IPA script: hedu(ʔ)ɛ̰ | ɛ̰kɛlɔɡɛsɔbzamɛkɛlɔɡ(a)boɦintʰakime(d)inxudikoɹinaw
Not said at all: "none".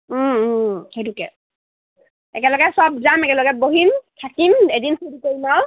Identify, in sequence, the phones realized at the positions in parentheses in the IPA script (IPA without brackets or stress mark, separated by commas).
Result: k, ɛ, d